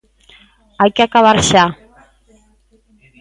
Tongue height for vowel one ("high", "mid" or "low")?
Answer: low